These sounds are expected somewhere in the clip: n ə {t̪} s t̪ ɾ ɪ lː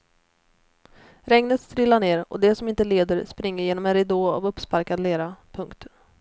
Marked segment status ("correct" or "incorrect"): correct